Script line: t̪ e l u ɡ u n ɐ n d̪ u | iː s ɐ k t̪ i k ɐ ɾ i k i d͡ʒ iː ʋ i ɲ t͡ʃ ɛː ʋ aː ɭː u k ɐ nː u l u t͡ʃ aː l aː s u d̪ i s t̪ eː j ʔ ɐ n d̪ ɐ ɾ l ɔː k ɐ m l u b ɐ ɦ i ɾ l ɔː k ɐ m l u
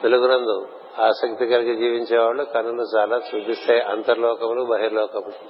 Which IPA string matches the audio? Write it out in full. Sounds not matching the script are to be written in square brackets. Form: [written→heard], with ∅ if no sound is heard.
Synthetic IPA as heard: t̪ e l u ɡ u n ɐ n d̪ u | [iː→aː] s ɐ k t̪ i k ɐ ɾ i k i d͡ʒ iː ʋ i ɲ t͡ʃ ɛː ʋ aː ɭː u k ɐ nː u l u t͡ʃ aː l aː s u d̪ i s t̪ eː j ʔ ɐ n [d̪→t̪] ɐ ɾ l ɔː k ɐ m l u b ɐ ɦ i ɾ l ɔː k ɐ m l u